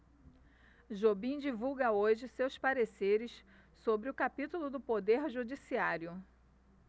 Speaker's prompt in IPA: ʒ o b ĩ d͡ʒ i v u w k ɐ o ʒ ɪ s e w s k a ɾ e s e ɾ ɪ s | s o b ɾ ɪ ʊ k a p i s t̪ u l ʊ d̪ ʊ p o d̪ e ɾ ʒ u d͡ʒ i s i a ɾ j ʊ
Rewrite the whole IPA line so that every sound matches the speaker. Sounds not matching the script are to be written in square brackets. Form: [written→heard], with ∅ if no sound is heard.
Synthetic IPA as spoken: ʒ o b ĩ d͡ʒ i v u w [k→ɡ] ɐ o ʒ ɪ s e w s [k→p] a ɾ e s e ɾ ɪ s | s o b ɾ ɪ ʊ k a p i [s→∅] t̪ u l ʊ d̪ ʊ p o d̪ e ɾ ʒ u d͡ʒ i s i a ɾ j ʊ

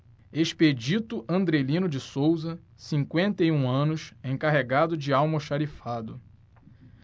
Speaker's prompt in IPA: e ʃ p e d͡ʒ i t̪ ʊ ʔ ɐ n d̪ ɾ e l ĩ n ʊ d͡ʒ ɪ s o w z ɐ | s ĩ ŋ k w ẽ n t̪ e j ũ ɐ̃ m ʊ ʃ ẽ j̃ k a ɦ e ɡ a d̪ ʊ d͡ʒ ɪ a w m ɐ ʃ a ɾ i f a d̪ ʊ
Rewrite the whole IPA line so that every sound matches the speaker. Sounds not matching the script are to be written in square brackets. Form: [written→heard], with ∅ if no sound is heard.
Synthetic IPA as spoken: e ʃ p e d͡ʒ i t̪ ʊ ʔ [ɐ→ɐ̃] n d̪ ɾ e l ĩ n ʊ d͡ʒ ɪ s o w z ɐ | s ĩ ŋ k w ẽ n t̪ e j ũ ɐ̃ [m→n] ʊ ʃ ẽ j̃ k a ɦ e ɡ a d̪ ʊ d͡ʒ ɪ a w m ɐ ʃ a ɾ i f a d̪ ʊ

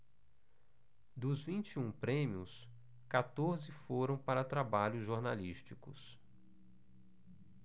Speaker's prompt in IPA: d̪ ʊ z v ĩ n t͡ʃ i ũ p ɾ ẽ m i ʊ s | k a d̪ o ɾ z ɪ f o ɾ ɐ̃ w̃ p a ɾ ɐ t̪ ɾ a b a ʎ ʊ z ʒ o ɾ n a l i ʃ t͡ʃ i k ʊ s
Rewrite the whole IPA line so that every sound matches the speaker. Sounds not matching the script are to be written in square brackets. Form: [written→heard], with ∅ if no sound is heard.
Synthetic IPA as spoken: d̪ ʊ z v ĩ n t͡ʃ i ũ p ɾ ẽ m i ʊ s | k a [d̪→t̪] o ɾ z ɪ f o ɾ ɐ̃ w̃ p a ɾ ɐ t̪ ɾ a b a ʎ ʊ z ʒ o ɾ n a l i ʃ t͡ʃ i k ʊ s

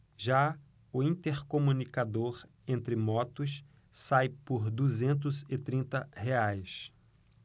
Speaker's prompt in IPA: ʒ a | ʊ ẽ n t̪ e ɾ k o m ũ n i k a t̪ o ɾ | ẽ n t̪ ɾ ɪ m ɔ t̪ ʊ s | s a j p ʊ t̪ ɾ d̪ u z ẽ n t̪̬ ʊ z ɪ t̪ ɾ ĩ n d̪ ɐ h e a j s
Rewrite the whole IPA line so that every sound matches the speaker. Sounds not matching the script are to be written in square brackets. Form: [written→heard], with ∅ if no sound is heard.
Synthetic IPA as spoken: ʒ a | ʊ [ẽ→ĩ] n t̪ e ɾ k o m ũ n i k a [t̪→d̪] o ɾ | ẽ n t̪ ɾ ɪ m ɔ t̪ ʊ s | s a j p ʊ [t̪→∅] ɾ d̪ u z ẽ n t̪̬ ʊ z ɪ t̪ ɾ ĩ n [d̪→t̪] ɐ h e a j s

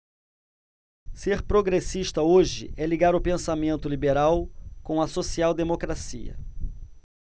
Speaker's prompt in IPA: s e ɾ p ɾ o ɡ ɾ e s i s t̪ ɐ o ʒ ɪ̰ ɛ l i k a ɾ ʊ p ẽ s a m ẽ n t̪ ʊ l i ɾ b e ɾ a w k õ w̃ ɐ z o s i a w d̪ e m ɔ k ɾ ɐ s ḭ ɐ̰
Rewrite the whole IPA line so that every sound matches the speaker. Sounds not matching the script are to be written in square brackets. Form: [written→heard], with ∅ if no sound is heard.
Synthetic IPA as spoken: s e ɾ p ɾ o ɡ ɾ e s i [s→ʃ] t̪ ɐ o ʒ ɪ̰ ɛ l i [k→ɡ] a ɾ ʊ p ẽ s a m ẽ n t̪ ʊ l i [ɾ→∅] b e ɾ a w k õ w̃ ɐ [z→s] o s i a w d̪ e m [ɔ→o] k ɾ [ɐ→a] s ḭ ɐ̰

